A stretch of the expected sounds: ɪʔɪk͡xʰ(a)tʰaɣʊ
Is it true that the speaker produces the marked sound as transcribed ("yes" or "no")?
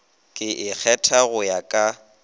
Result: no